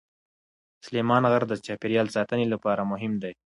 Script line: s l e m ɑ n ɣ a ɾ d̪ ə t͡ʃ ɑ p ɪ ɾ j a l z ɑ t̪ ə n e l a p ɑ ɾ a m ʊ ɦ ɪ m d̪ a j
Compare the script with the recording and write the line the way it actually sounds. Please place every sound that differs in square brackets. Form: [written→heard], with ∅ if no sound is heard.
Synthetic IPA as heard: s l e m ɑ n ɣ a ɾ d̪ ə t͡ʃ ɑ p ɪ ɾ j [a→ɑ] l [z→s] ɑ t̪ ə n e l a p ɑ ɾ a m ʊ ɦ ɪ m d̪ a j